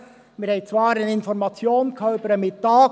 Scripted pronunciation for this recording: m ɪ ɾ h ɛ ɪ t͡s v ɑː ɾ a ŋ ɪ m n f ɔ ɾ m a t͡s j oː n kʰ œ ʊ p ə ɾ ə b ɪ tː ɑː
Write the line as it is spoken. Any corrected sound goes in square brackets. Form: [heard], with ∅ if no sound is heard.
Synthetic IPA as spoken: m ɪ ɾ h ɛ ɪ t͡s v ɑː ɾ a [n] ɪ [∅] n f ɔ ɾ m [ɑ] t͡s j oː n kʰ œ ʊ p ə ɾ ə [m] ɪ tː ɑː